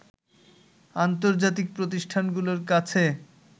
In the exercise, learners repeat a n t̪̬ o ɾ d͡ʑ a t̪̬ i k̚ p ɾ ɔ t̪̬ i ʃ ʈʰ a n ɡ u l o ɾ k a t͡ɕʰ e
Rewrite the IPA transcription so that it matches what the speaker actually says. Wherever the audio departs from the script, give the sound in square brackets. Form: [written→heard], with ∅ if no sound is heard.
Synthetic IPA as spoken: a n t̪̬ o ɾ d͡ʑ a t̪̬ i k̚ p ɾ [ɔ→o] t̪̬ i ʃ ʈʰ a n ɡ u l o ɾ k a t͡ɕʰ e